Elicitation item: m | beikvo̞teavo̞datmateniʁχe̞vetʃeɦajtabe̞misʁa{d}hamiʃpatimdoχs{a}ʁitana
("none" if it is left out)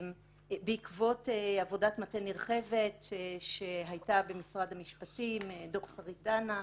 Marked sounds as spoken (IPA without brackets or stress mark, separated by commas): d, a